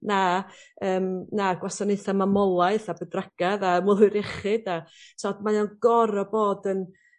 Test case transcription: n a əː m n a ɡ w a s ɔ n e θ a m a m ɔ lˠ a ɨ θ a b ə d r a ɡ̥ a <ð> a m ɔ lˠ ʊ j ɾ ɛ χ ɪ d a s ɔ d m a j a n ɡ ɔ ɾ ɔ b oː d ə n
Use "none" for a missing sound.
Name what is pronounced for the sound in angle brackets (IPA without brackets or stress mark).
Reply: ð